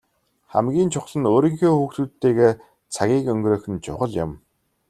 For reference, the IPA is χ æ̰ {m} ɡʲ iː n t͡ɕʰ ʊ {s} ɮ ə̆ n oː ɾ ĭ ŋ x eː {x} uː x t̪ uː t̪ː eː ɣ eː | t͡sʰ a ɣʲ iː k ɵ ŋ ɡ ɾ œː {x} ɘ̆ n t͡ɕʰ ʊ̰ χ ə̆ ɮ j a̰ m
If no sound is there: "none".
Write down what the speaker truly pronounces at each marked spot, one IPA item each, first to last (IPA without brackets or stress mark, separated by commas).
m, χ, x, x